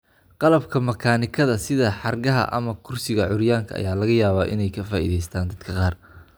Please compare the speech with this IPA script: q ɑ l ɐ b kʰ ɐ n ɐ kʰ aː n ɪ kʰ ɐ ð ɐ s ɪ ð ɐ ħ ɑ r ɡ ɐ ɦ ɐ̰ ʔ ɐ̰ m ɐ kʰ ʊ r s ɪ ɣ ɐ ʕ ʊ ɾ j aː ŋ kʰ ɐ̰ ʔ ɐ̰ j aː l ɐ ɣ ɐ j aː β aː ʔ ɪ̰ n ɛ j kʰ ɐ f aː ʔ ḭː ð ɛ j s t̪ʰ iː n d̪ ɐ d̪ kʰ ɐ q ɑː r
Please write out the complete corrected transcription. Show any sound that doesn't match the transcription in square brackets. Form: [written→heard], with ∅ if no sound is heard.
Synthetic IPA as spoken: q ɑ l ɐ b kʰ ɐ [n→m] ɐ kʰ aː n ɪ kʰ ɐ ð ɐ s ɪ ð ɐ ħ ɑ r ɡ ɐ ɦ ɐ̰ ʔ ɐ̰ m ɐ kʰ ʊ r s ɪ ɣ ɐ ʕ ʊ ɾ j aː ŋ kʰ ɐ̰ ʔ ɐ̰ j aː l ɐ ɣ ɐ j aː β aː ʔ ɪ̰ n ɛ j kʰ ɐ f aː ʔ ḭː ð ɛ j s t̪ʰ [iː→aː] n d̪ ɐ d̪ kʰ ɐ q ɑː r